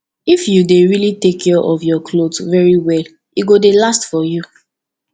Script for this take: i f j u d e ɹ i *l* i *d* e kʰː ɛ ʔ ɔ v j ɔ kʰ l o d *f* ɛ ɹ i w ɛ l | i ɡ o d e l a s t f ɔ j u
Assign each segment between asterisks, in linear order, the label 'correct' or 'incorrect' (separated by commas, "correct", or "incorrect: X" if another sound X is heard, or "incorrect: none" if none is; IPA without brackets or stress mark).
correct, incorrect: t, incorrect: v